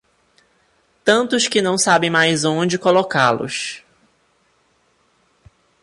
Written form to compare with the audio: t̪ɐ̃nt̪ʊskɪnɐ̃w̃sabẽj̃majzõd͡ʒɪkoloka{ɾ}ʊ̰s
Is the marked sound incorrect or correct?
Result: incorrect